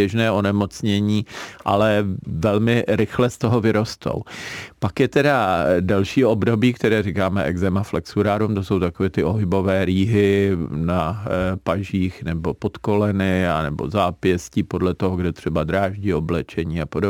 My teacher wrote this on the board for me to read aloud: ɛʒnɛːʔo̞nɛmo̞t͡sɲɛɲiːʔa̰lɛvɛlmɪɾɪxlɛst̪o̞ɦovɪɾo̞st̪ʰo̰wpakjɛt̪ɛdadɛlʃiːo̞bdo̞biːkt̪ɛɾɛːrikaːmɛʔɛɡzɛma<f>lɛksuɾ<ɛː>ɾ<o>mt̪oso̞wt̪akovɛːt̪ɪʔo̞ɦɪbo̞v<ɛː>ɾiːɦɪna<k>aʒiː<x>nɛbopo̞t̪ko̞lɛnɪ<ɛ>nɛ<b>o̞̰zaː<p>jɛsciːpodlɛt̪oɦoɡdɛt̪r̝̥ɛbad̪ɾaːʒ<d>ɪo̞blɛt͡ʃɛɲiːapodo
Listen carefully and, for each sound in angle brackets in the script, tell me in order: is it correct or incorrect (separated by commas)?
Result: correct, incorrect, incorrect, correct, incorrect, correct, incorrect, correct, correct, incorrect